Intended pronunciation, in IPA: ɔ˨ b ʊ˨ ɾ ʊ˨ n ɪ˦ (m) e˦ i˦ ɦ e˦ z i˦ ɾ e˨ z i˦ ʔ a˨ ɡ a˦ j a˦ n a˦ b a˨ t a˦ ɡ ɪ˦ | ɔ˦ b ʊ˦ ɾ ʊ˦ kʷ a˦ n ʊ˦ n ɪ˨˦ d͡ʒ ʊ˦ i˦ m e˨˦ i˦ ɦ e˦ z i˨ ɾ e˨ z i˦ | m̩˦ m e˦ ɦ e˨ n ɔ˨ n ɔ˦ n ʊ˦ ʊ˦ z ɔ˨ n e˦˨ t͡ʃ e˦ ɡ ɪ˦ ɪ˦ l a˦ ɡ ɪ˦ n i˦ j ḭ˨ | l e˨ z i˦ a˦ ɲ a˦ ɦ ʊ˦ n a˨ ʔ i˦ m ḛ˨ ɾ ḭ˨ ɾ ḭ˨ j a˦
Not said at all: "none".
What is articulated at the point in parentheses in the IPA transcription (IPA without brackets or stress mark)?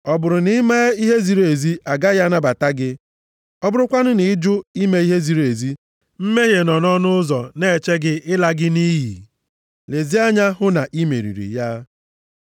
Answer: m